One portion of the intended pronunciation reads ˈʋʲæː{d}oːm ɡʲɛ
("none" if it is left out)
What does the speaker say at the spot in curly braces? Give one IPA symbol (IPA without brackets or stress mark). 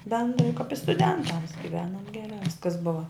n